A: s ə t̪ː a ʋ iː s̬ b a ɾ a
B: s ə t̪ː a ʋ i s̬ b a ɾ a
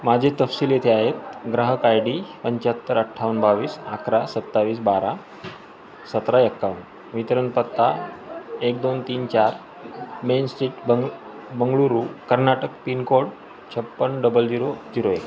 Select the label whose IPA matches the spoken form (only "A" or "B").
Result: A